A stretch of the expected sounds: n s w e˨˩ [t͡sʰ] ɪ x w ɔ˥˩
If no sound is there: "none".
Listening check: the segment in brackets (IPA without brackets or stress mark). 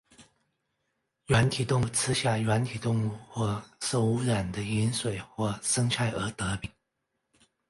none